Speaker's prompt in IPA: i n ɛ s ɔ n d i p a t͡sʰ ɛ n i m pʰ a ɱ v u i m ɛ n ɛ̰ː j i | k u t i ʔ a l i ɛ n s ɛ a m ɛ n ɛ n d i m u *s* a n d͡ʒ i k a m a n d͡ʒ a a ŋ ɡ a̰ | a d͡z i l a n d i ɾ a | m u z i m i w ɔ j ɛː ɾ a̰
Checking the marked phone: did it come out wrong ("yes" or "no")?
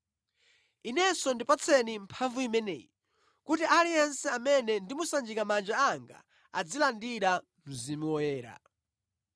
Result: no